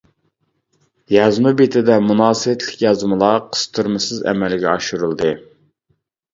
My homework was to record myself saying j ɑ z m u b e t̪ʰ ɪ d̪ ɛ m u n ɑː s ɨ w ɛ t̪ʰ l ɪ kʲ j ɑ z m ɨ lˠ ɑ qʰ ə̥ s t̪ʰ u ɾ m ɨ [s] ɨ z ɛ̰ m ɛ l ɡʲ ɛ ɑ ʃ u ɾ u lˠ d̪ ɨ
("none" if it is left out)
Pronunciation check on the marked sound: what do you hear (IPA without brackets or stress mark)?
s